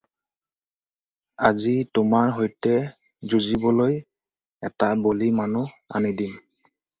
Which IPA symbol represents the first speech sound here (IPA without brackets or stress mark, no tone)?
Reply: a